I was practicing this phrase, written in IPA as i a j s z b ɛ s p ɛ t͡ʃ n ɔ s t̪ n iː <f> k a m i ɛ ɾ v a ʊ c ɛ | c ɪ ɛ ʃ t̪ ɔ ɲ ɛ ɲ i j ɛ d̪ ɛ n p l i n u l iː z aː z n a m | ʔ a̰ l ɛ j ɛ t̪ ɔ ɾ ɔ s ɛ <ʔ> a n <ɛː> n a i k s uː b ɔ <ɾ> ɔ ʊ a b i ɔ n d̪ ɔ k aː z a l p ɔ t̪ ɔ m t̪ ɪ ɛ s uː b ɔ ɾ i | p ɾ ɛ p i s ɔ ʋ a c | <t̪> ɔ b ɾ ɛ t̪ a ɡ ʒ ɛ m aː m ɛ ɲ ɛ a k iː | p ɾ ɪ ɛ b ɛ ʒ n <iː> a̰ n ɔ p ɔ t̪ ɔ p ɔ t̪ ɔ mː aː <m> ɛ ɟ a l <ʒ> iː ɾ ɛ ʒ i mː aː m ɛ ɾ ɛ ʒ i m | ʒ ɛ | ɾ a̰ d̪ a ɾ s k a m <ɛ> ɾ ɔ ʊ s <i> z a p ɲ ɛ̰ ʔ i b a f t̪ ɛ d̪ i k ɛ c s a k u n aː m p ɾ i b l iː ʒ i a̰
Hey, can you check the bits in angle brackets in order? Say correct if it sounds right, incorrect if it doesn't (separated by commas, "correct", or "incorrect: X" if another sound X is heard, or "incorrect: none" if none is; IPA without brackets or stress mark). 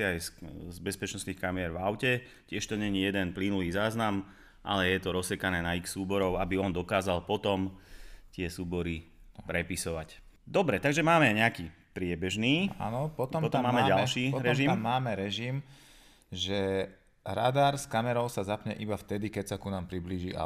incorrect: x, incorrect: k, correct, correct, incorrect: d̪, correct, correct, incorrect: ʃ, correct, incorrect: a